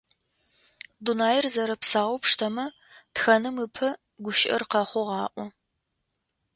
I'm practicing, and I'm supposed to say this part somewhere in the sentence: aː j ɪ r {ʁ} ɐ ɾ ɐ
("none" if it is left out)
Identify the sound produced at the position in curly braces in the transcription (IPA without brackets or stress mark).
z